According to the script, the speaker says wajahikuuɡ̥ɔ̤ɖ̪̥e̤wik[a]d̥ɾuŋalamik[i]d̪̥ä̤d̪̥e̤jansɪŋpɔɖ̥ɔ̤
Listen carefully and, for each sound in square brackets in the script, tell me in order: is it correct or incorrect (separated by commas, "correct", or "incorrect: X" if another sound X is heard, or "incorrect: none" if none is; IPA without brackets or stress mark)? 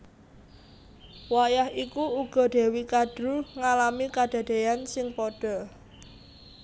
correct, incorrect: a